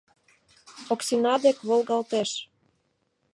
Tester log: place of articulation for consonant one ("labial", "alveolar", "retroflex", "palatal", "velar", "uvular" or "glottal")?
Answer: velar